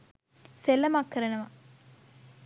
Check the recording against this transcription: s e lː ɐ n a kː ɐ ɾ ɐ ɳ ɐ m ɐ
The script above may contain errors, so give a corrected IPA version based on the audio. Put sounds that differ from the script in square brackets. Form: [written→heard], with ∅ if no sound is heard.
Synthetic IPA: s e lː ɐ [n→m] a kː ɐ ɾ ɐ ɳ ɐ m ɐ